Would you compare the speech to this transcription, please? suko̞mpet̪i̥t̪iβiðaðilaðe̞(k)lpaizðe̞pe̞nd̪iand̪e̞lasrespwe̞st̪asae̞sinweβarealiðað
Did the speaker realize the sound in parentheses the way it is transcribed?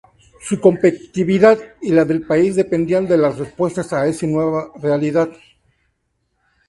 no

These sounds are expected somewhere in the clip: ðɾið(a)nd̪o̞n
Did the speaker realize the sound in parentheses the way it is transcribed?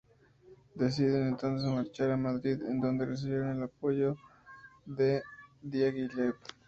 no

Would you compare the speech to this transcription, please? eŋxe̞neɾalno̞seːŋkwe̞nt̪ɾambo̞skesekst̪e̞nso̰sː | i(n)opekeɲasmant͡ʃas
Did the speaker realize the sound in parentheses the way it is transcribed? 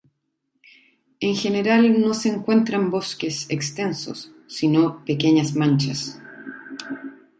yes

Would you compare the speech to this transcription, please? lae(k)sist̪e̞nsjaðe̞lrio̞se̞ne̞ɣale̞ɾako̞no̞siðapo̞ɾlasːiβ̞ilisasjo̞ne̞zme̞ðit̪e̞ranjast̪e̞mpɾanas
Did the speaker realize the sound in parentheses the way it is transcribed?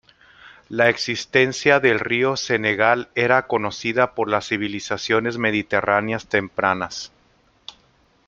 yes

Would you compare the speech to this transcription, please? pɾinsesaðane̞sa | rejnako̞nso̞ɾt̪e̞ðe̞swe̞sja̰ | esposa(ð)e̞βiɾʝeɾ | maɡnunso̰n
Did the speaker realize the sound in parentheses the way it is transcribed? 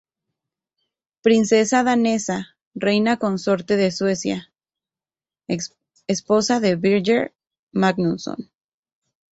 yes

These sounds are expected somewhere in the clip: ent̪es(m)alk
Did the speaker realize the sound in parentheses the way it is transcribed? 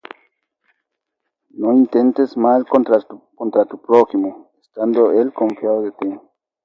yes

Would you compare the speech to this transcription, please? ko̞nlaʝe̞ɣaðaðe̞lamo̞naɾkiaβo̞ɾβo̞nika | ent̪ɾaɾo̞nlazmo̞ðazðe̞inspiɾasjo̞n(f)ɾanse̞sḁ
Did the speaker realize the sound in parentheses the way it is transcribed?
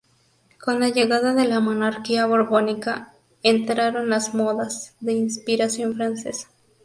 yes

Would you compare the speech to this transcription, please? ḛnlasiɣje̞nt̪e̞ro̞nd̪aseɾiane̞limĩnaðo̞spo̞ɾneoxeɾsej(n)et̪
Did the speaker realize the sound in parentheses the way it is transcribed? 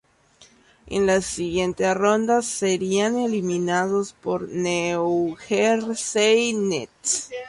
yes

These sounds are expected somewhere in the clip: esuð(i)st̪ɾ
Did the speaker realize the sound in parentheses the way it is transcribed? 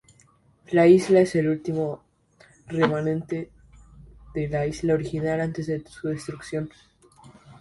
no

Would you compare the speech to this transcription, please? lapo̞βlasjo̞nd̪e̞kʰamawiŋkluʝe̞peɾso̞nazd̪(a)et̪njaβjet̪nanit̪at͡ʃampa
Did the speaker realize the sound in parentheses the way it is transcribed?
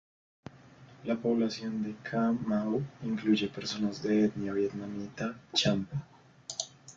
no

